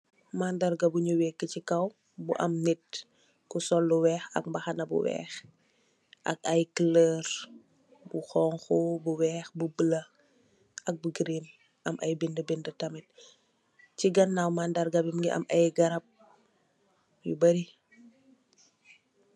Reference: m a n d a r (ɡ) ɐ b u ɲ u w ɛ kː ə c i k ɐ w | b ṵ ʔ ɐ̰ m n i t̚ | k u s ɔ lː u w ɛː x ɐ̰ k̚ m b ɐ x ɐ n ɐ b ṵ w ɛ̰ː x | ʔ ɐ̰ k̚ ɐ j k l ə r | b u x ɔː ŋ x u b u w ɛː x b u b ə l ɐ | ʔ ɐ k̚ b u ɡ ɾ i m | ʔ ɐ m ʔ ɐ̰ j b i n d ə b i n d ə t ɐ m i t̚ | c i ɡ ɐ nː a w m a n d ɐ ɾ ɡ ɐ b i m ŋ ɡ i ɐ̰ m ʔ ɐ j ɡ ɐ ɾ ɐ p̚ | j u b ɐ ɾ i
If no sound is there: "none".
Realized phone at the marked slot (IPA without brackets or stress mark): ɡ